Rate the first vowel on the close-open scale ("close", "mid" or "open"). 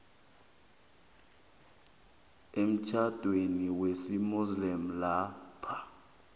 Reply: mid